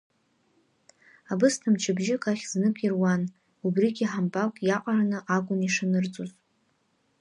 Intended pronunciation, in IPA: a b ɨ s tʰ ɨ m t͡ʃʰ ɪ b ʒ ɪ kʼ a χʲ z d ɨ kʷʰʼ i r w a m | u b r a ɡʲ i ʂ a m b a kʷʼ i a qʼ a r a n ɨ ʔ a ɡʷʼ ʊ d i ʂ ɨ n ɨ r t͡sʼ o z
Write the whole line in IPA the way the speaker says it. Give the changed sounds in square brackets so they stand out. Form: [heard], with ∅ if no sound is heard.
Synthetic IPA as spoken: a b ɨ s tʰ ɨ m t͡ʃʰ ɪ b ʒ ɪ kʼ a χʲ z [n] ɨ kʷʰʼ i r w a [n] | u b r [i] ɡʲ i [ħ] a m b a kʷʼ [j] a qʼ a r a n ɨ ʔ a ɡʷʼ ʊ [n] i ʂ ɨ n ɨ r t͡sʼ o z